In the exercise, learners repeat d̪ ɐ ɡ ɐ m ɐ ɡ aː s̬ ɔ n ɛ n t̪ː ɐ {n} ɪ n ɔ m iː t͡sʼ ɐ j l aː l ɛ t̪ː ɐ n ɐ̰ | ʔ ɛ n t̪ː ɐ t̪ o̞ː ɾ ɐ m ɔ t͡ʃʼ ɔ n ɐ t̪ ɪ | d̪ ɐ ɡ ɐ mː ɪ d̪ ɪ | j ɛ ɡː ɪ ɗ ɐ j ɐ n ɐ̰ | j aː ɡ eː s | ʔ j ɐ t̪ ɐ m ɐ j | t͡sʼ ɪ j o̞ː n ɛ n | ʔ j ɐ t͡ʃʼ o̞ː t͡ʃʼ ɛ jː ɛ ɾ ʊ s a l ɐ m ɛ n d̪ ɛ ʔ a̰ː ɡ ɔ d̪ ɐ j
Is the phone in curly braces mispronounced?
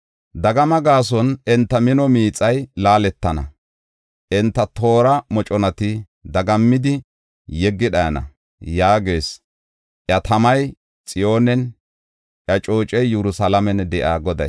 yes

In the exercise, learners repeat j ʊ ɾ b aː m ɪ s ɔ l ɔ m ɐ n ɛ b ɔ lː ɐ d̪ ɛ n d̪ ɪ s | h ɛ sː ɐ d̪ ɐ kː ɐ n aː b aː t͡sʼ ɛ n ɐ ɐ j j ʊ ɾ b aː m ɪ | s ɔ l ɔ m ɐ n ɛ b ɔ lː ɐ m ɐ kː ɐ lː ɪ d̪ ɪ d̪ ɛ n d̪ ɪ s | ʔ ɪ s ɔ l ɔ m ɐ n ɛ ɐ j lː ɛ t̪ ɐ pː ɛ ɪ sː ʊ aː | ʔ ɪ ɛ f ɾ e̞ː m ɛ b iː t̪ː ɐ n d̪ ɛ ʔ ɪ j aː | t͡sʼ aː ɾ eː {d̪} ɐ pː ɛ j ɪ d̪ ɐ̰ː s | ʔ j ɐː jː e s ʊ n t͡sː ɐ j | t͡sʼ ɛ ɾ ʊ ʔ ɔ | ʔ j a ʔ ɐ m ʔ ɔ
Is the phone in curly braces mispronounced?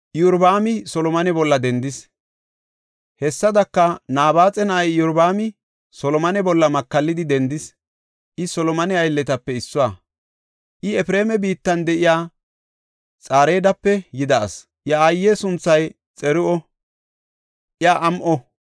no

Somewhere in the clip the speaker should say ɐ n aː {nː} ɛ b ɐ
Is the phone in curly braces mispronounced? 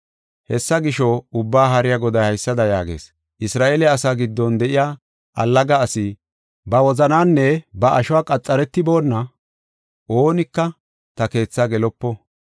no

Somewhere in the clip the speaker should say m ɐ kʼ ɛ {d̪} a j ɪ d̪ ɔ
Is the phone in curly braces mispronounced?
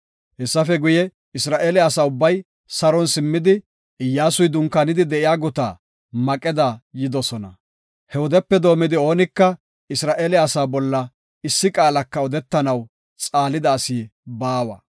no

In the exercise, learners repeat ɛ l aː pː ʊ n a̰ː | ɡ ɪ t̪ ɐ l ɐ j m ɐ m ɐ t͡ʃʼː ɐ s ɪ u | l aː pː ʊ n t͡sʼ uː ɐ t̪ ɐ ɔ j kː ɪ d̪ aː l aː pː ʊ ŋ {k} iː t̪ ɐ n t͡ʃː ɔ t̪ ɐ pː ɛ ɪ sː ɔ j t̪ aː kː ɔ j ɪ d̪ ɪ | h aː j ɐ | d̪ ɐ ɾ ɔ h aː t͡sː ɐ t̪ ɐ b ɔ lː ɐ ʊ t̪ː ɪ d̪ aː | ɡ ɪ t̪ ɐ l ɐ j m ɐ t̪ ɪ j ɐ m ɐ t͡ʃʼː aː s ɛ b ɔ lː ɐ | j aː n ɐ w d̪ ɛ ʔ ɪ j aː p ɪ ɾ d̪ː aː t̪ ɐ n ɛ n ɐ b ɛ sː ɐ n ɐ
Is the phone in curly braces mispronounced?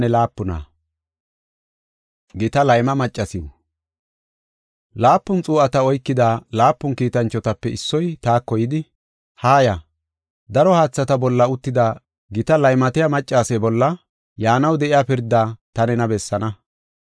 no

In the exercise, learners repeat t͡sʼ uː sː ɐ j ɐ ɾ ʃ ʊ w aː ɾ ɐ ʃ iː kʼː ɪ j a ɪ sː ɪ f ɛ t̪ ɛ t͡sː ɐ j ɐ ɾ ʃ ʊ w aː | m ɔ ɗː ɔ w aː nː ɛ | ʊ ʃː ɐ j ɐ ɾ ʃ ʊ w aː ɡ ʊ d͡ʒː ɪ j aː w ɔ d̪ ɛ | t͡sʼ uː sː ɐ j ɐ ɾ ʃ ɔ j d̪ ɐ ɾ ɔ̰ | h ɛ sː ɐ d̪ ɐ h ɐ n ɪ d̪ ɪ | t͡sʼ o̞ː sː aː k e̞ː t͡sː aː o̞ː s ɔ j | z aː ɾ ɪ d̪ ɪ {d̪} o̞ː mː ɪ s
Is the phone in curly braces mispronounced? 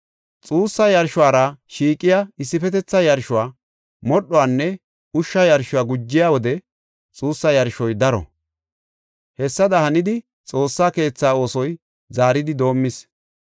no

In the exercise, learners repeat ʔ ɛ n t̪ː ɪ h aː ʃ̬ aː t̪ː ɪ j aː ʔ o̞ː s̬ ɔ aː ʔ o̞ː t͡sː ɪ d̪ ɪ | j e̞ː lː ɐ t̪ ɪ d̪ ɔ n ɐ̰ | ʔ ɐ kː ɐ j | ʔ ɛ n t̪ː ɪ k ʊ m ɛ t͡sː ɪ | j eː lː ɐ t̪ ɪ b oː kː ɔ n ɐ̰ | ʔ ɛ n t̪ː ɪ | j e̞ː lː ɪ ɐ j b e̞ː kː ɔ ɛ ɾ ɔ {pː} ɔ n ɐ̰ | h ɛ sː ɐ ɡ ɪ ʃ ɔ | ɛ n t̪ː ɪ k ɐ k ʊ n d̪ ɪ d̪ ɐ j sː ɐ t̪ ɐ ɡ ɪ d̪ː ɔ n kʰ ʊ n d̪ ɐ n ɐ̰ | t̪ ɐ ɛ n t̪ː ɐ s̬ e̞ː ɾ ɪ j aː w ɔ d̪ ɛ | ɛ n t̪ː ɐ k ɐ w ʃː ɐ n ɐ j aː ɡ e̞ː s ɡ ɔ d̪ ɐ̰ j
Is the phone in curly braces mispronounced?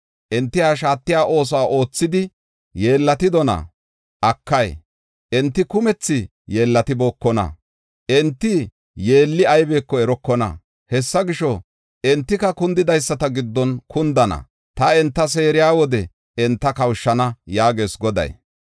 yes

